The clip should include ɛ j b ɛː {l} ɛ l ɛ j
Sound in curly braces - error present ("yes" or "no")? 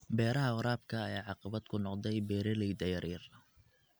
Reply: yes